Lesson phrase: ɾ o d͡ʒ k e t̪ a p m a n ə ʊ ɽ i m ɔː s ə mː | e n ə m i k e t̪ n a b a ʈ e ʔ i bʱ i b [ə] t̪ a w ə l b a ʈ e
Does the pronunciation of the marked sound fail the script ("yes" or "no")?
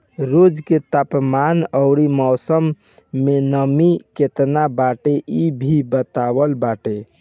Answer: no